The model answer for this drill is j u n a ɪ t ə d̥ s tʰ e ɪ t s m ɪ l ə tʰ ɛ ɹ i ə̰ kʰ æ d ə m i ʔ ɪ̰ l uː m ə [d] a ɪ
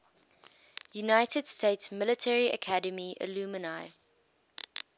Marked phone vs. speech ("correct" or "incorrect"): incorrect